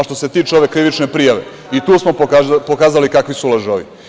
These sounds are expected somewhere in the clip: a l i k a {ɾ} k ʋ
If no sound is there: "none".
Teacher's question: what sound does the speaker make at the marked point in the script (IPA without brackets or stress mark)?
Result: none